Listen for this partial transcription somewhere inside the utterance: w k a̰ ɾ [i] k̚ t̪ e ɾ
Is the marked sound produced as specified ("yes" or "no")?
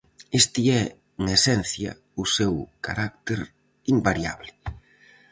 no